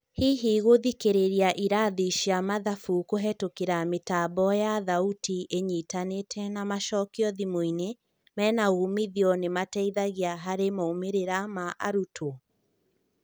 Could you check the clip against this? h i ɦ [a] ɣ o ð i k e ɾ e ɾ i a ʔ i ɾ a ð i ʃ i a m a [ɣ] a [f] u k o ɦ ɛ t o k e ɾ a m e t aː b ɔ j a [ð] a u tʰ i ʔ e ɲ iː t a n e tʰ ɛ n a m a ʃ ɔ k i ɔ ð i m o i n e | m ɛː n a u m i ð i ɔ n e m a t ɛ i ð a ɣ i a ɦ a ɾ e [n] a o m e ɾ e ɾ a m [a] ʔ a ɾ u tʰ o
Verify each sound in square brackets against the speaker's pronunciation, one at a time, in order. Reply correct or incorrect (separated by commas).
incorrect, incorrect, correct, correct, incorrect, correct